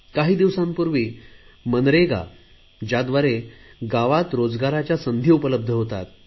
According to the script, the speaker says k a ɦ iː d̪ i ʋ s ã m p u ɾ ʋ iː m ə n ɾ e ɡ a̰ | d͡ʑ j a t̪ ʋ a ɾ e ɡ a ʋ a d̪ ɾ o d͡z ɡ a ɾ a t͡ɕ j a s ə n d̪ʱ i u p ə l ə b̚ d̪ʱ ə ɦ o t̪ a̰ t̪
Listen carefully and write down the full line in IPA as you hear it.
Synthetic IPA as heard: k a ɦ iː d̪ i ʋ s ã m p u ɾ ʋ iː m ə n ɾ e ɡ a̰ | d͡ʑ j a d̪ ʋ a ɾ e ɡ a ʋ a t̪ ɾ o d͡z ɡ a ɾ a t͡ɕ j a s ə n d̪ʱ i u p ə l ə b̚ d̪ʱ ə ɦ o t̪ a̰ t̪